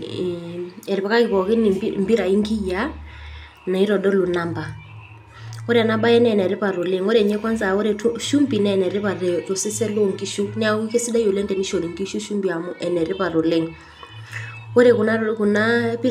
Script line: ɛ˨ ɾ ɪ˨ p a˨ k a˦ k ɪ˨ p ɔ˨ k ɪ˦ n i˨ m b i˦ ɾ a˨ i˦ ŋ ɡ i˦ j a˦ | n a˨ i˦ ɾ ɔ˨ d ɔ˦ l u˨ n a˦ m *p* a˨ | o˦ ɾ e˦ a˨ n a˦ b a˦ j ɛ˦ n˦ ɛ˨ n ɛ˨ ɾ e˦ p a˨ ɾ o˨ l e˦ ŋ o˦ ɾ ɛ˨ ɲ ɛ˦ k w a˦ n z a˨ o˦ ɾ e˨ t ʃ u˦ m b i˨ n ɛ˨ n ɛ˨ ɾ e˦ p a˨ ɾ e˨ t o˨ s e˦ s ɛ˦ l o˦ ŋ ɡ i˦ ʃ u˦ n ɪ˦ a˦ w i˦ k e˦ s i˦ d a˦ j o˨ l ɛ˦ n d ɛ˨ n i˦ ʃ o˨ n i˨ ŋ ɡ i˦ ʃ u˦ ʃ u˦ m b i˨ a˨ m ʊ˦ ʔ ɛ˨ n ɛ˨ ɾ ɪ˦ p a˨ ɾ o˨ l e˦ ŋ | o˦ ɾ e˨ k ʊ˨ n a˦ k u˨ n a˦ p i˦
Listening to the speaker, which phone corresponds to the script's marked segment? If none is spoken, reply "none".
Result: b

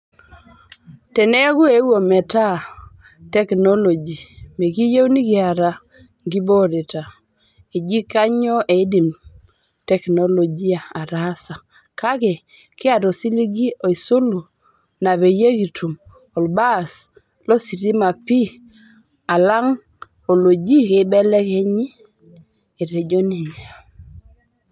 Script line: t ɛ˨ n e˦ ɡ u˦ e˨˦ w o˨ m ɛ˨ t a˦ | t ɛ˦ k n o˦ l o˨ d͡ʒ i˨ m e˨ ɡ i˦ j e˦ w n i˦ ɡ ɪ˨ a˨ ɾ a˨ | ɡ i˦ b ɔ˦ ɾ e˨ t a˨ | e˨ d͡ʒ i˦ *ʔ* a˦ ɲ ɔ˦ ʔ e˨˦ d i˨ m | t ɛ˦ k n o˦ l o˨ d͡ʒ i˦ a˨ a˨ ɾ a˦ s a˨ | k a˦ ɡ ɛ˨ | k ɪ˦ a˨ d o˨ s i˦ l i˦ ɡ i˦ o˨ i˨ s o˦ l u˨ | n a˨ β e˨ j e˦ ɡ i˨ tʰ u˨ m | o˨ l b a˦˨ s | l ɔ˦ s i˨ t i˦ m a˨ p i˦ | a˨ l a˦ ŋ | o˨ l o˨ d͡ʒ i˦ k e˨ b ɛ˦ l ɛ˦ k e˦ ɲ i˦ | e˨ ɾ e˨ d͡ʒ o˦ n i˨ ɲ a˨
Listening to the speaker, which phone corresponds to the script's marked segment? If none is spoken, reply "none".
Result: k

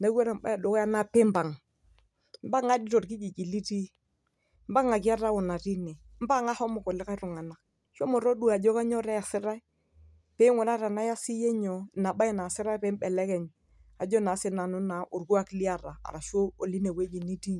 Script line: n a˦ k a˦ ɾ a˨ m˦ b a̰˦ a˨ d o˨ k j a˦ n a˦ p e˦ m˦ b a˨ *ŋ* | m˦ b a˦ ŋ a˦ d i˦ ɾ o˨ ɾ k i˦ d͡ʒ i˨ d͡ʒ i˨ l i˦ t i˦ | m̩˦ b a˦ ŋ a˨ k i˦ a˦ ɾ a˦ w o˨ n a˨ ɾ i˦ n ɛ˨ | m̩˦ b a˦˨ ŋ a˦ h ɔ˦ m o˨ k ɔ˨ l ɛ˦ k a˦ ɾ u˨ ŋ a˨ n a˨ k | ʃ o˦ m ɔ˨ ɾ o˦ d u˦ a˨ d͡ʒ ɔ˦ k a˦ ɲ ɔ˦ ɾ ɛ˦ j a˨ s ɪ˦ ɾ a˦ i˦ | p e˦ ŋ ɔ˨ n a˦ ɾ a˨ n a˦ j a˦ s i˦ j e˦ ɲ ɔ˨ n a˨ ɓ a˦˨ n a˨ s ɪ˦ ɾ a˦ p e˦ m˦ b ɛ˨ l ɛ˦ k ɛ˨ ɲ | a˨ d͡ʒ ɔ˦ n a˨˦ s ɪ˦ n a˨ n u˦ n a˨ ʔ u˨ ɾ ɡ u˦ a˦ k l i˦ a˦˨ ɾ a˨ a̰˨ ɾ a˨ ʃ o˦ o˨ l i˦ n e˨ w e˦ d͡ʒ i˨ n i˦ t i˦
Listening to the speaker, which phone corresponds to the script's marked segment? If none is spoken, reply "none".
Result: ŋ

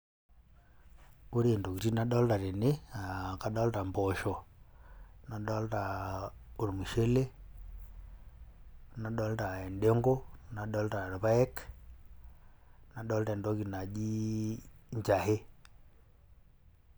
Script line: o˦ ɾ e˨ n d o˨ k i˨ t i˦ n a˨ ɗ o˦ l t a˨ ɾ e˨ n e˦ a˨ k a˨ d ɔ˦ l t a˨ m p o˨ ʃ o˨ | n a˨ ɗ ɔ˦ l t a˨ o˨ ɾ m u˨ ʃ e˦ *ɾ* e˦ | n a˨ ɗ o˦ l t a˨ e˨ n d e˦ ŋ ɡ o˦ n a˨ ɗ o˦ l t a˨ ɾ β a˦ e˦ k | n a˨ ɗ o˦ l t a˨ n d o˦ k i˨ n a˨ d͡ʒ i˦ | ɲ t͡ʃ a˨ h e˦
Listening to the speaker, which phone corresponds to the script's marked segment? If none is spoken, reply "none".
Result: l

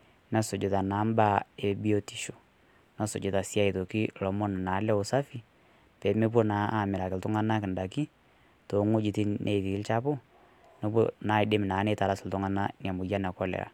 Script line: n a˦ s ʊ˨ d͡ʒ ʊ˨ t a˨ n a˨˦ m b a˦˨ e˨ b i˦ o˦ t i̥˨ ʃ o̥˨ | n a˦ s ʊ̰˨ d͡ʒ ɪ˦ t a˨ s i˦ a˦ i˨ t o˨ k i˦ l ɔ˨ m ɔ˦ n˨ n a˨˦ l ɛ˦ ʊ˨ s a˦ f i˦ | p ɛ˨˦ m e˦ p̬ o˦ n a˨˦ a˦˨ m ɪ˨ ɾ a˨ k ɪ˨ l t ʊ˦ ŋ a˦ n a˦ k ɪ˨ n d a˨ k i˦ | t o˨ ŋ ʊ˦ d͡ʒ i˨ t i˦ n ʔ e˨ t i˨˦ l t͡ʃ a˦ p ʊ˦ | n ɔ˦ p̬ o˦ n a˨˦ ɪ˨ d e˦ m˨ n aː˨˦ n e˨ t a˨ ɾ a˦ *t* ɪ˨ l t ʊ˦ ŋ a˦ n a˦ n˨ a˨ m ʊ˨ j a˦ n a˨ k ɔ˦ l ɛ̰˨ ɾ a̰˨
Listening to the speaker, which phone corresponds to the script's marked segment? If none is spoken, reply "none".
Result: s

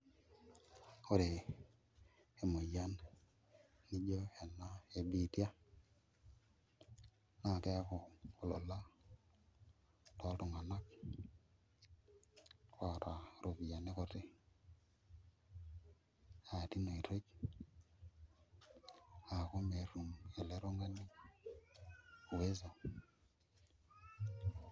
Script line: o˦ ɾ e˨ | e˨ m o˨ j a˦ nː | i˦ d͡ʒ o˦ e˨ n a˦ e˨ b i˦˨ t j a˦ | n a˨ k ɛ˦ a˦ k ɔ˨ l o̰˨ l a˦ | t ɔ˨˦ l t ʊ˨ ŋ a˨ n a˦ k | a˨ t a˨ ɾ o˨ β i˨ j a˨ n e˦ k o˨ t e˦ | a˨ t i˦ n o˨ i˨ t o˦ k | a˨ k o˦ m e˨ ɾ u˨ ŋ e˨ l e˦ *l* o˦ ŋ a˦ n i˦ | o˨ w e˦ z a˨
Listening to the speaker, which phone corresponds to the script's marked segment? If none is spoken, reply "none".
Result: ɾ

